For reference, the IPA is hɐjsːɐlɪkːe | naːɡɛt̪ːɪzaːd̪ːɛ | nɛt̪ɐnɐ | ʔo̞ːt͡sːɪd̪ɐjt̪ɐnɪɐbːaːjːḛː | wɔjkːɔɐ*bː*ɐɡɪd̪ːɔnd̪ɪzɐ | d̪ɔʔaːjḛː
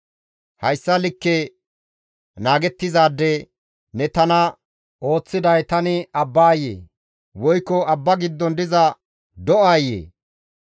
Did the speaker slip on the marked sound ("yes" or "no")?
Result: no